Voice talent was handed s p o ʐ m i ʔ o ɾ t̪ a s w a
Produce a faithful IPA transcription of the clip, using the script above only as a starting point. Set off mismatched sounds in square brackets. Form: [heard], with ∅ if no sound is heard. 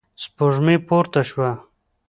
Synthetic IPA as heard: s p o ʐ m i [p] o ɾ t̪ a [ʃ] w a

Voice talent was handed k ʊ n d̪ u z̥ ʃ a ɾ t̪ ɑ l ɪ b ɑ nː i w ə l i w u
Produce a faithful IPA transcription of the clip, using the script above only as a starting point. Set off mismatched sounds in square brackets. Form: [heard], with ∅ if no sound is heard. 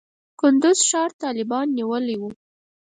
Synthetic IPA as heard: k ʊ n d̪ [ʊ] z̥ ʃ [ɑ] ɾ t̪ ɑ l ɪ b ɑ nː i w ə l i w u

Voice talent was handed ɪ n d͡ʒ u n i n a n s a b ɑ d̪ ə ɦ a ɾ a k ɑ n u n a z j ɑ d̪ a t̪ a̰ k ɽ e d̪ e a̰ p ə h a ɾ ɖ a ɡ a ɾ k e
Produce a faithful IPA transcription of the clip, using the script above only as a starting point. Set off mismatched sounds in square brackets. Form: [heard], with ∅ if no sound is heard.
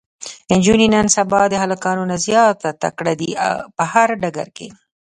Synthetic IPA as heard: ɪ n d͡ʒ u n i n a n s a b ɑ d̪ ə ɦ a [l] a k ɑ n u n a z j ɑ [t̪] a t̪ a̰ k ɽ [a] d̪ [i] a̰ p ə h a ɾ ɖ a ɡ a ɾ k e

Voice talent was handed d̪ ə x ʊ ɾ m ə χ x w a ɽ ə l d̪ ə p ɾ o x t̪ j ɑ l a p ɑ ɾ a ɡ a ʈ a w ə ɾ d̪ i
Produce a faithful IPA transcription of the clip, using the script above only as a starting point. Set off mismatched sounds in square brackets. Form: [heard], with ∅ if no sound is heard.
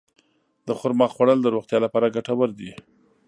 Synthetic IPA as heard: d̪ ə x ʊ ɾ m [ɑ] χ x w a ɽ ə l d̪ ə [∅] ɾ o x t̪ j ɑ l a p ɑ ɾ a ɡ a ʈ a w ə ɾ d̪ i

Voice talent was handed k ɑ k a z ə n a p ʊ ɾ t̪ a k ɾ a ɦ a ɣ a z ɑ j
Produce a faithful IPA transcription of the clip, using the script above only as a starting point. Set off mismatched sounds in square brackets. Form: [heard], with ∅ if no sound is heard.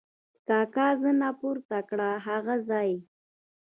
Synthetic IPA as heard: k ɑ k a z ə n a p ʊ ɾ t̪ a k [ɽ] a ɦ a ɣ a z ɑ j

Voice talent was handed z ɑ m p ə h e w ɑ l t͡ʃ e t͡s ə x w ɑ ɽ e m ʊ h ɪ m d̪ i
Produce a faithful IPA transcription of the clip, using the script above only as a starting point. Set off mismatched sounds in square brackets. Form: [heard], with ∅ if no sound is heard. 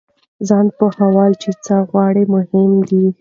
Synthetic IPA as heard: z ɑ [n] p ə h [a] w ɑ l t͡ʃ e t͡s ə [ɣ] w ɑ ɽ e m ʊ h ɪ m d̪ i

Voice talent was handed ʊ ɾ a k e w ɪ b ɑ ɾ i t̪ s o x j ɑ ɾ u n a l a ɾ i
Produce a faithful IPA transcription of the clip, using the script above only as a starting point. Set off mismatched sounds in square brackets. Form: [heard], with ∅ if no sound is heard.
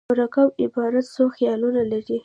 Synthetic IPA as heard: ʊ ɾ a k [a] w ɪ b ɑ ɾ [a] t̪ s o x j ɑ [l] u n a l a ɾ i

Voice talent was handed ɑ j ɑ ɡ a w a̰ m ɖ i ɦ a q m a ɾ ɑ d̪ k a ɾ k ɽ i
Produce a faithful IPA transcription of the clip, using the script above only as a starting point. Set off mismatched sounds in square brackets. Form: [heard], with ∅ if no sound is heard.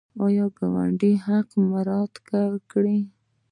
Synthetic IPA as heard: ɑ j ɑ ɡ a w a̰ [ɳ] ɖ i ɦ a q m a ɾ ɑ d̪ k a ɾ k ɽ i

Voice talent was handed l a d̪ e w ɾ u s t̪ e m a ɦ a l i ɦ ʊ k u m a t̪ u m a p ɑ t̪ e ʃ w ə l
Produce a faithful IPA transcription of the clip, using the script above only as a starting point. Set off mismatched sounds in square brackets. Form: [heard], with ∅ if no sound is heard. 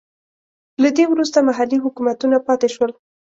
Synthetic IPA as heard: l a d̪ e w ɾ u s t̪ [a] m a ɦ a l i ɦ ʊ k u m a t̪ u [n] a p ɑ t̪ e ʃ w ə l

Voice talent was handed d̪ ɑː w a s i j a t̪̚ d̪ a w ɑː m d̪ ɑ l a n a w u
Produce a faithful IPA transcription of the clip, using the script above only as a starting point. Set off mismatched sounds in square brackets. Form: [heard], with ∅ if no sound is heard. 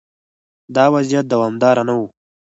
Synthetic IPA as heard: d̪ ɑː w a [z] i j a t̪̚ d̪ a w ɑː m d̪ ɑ [ɾ] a n a w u

